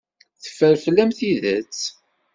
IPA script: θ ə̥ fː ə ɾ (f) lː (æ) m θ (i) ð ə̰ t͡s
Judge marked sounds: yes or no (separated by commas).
yes, yes, yes